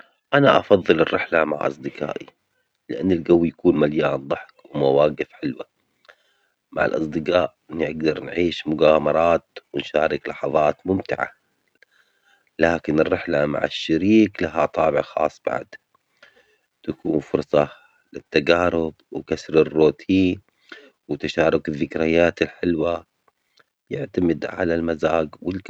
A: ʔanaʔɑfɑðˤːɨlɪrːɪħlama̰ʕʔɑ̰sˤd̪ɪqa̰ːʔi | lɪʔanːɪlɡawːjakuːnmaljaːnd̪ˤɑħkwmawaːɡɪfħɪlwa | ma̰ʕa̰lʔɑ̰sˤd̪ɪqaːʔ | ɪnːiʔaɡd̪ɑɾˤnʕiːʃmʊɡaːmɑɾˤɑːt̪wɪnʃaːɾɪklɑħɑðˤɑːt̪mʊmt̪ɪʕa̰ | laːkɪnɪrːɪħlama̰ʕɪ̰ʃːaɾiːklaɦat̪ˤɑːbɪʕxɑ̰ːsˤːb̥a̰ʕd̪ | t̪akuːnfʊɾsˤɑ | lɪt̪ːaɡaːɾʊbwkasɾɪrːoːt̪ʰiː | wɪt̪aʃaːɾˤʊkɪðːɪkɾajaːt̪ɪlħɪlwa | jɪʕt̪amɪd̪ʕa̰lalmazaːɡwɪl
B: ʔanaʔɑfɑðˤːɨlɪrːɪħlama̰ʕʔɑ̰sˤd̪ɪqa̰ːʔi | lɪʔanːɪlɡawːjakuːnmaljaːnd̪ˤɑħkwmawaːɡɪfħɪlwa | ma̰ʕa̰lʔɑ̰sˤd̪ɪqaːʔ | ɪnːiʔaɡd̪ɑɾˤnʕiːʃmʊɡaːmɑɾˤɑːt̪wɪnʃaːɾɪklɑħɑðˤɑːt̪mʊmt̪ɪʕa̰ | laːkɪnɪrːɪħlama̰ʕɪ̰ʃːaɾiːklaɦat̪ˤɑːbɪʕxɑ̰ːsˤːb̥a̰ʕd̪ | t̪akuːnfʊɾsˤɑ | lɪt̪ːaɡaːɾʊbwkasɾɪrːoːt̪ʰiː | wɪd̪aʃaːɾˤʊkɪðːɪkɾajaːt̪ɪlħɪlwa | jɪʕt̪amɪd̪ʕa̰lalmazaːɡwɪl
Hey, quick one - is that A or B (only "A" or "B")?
A